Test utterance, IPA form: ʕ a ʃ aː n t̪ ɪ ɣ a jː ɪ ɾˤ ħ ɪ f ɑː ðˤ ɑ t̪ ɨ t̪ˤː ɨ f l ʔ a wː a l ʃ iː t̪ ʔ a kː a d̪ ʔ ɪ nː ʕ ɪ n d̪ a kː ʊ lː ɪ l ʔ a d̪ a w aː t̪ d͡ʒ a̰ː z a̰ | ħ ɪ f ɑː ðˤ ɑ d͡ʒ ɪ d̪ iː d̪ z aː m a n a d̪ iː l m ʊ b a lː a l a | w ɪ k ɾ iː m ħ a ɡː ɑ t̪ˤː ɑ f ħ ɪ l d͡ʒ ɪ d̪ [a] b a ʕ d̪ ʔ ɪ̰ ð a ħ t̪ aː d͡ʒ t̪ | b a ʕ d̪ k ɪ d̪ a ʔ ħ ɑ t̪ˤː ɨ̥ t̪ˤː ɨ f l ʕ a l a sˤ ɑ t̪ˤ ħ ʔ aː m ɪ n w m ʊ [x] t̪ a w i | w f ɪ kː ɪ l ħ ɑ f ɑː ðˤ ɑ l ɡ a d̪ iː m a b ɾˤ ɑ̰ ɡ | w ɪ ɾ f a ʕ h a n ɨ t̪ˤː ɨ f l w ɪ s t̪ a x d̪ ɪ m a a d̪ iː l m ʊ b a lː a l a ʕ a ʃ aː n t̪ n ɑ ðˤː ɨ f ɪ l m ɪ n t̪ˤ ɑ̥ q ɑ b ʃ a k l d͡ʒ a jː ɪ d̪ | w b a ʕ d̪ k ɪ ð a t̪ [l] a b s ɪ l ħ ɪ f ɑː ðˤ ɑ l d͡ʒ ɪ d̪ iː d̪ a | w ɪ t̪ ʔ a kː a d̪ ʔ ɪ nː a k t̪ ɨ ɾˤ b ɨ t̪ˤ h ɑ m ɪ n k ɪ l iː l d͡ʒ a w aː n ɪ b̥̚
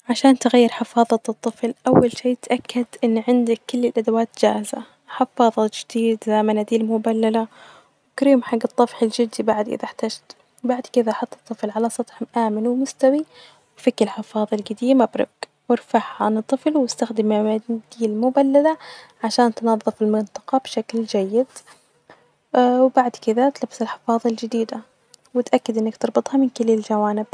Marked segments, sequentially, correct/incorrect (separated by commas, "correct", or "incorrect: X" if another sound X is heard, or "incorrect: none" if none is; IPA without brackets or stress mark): incorrect: i, incorrect: s, correct